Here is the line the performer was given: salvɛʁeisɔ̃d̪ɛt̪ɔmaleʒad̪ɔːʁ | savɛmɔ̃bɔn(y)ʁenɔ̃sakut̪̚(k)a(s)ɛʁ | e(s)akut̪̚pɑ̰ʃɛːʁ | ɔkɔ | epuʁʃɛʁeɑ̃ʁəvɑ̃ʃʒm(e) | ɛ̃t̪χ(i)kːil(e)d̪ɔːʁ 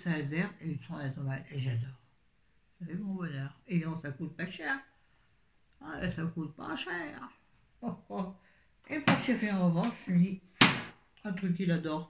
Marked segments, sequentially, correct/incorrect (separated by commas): incorrect, incorrect, incorrect, correct, incorrect, incorrect, incorrect